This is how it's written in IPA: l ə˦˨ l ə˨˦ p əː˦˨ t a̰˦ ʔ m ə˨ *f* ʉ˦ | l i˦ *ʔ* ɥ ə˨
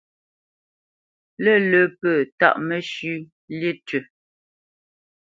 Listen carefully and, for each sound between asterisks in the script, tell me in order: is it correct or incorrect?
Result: incorrect: ʃ, incorrect: t

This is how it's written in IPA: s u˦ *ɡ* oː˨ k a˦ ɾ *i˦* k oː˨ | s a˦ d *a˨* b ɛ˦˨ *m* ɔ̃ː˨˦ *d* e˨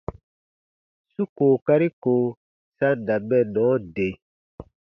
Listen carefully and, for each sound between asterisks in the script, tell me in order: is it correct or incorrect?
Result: incorrect: k, correct, correct, incorrect: n, correct

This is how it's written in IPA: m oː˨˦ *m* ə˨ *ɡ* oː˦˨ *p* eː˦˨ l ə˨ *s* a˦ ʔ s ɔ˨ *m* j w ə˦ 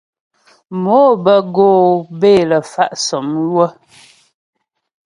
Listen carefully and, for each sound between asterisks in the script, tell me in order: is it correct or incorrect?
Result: incorrect: b, correct, incorrect: b, incorrect: f, correct

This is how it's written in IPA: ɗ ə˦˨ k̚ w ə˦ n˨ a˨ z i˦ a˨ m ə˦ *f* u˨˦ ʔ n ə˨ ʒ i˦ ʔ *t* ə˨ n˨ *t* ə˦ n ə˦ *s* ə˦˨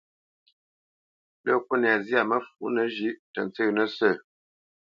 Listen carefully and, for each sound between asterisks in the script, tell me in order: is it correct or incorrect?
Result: correct, correct, incorrect: t͡s, correct

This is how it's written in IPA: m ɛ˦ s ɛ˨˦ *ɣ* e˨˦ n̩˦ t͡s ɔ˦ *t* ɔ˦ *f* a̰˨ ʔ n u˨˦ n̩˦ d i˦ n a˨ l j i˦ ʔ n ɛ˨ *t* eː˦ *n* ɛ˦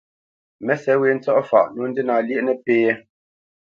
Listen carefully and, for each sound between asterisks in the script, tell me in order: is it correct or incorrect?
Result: incorrect: w, incorrect: ʔ, correct, incorrect: p, incorrect: none

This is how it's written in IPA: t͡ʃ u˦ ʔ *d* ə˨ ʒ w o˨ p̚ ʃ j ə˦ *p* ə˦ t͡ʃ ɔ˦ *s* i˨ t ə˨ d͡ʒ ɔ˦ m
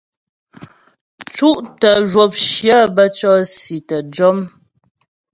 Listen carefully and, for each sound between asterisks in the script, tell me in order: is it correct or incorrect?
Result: incorrect: t, incorrect: b, correct

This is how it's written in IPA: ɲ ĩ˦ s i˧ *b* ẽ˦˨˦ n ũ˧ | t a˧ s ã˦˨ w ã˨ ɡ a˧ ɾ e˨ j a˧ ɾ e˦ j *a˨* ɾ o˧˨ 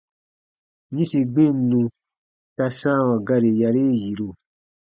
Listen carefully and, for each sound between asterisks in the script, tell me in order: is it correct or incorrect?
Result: incorrect: ɡ͡b, incorrect: i˨

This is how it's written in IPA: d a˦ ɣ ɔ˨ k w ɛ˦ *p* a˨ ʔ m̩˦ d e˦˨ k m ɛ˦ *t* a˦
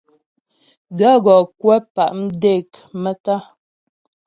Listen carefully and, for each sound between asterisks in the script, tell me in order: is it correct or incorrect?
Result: correct, correct

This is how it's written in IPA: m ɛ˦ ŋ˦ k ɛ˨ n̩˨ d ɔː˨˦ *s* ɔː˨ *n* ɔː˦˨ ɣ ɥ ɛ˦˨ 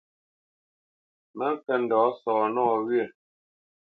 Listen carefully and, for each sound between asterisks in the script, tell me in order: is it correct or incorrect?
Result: correct, correct

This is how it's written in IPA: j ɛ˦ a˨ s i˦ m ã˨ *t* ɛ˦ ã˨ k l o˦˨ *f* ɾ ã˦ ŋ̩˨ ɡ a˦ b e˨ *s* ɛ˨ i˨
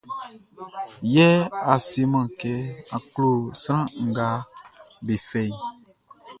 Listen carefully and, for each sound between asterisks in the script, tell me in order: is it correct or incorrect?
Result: incorrect: k, incorrect: s, incorrect: f

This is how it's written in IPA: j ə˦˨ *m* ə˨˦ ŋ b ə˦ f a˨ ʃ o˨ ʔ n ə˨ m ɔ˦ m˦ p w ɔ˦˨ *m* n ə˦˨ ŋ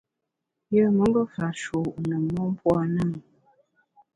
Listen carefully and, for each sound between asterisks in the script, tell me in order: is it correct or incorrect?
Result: correct, incorrect: none

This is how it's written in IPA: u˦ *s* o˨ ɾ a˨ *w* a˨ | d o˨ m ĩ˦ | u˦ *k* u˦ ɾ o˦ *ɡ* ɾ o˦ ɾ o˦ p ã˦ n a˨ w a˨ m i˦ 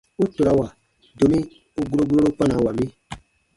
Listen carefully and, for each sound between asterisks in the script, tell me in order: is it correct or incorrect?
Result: incorrect: t, correct, incorrect: ɡ, correct

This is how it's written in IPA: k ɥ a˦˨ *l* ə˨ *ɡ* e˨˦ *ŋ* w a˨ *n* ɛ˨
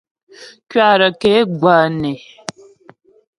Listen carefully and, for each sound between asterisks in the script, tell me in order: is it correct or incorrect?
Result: incorrect: ɾ, incorrect: k, incorrect: ɡ, correct

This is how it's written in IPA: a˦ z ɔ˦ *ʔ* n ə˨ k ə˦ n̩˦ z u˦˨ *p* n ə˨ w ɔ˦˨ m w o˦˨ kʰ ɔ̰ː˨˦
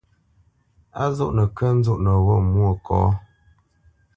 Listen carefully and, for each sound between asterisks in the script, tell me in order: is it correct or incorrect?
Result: correct, incorrect: ʔ

